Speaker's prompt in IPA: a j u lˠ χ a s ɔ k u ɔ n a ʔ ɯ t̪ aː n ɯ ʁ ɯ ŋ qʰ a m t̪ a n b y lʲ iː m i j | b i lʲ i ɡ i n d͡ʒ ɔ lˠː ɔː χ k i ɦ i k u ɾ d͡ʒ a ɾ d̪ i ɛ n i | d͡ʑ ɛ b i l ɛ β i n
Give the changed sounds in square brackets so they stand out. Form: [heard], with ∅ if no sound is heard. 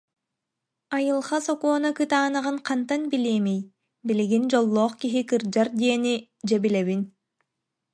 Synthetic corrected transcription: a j [ɯ] lˠ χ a s ɔ k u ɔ n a [k] ɯ t̪ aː n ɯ ʁ ɯ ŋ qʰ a [n] t̪ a n b [i] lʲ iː m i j | b i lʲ i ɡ i n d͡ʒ ɔ lˠː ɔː χ k i ɦ i k [ɯ] ɾ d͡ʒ a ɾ d̪ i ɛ n i | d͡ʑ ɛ b i l ɛ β i n